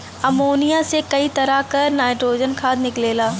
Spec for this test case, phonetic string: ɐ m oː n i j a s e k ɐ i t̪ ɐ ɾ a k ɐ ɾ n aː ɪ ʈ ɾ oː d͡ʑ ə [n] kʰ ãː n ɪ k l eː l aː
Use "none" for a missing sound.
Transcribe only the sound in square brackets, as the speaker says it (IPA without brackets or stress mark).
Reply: n